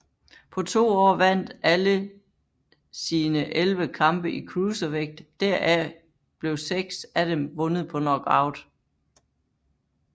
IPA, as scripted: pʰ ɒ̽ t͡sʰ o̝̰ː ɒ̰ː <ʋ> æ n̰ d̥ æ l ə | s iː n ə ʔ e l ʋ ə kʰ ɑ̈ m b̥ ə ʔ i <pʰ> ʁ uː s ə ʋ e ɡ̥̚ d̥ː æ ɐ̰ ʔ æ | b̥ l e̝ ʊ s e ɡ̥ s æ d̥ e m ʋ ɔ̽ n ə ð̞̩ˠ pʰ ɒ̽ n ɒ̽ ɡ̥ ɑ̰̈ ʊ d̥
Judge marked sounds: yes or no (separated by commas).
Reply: yes, no